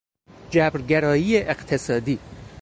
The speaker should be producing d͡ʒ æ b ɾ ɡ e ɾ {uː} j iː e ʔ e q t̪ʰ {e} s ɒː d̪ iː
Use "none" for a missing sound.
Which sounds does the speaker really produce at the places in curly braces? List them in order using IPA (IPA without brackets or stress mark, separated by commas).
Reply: ɒː, e